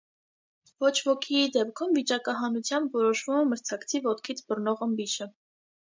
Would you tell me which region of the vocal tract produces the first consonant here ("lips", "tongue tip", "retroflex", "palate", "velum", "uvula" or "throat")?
lips